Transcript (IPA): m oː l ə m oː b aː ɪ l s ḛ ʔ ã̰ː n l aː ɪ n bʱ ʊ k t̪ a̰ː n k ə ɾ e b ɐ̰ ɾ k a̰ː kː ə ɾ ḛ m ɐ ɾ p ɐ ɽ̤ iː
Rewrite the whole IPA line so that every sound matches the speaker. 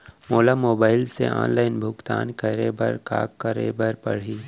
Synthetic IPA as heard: m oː l a m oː b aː ɪ l s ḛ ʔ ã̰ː n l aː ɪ n bʱ ʊ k t̪ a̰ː n k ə ɾ e b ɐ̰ ɾ k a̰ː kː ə ɾ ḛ b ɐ ɾ p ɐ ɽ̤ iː